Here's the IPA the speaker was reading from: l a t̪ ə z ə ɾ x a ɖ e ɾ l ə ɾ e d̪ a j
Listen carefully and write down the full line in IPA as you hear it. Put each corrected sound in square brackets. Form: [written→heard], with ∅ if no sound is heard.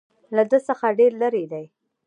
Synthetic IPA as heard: l a [t̪→d̪] ə [z→s] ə [ɾ→∅] x a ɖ e ɾ l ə ɾ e d̪ a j